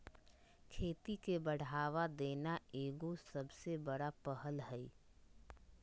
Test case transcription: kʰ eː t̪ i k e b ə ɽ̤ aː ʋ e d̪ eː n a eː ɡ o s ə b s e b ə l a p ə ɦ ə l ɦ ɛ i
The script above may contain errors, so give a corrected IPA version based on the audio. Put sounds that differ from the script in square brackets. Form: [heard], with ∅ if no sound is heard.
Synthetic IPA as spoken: kʰ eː t̪ i k e b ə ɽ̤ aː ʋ [a] d̪ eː n a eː ɡ o s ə b s e b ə [ɽ] a p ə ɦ ə l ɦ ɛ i